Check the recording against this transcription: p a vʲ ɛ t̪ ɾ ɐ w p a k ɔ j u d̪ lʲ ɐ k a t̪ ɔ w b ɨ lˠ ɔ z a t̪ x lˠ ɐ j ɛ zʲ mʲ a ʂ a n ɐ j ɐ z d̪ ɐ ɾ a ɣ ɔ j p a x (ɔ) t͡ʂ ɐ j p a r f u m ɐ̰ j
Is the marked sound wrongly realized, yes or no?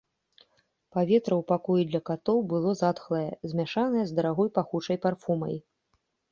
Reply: yes